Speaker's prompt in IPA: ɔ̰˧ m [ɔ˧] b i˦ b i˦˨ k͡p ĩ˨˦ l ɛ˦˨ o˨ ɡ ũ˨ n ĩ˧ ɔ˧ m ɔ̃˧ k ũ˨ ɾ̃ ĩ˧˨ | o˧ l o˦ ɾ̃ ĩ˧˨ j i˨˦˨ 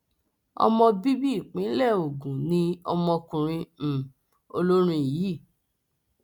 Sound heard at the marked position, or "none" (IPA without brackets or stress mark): ɔ̃˧